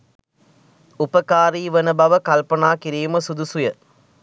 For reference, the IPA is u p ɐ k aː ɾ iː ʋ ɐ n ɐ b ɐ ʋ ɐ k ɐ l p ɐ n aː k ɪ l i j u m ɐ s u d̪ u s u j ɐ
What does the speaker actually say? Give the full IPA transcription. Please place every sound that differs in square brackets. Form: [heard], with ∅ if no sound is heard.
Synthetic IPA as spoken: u p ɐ k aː ɾ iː ʋ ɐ n ɐ b ɐ ʋ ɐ k ɐ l p ɐ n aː k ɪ [ɾ] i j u m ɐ s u d̪ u s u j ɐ